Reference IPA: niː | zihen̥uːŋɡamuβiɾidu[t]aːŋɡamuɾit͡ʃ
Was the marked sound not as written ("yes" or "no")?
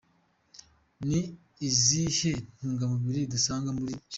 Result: yes